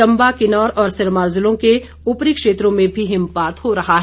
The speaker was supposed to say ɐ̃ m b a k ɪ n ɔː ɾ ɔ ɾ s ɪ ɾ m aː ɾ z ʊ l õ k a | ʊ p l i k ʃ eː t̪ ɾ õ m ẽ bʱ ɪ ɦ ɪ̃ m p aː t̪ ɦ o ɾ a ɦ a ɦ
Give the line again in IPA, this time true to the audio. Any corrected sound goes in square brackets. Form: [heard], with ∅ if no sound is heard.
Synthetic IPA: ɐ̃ m b a k ɪ n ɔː ɾ [ɔː] ɾ s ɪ ɾ m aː ɾ z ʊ l õ k [e] | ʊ p [ɾ] i k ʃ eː t̪ ɾ õ m ẽ bʱ [i] ɦ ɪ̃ m p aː t̪ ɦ o ɾ [ɐ] ɦ a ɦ